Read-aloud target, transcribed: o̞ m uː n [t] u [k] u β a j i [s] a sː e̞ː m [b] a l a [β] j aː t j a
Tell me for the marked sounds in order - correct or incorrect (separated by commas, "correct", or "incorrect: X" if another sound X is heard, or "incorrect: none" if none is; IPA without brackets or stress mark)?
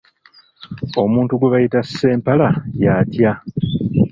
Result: correct, incorrect: ɡ, incorrect: t, incorrect: p, incorrect: none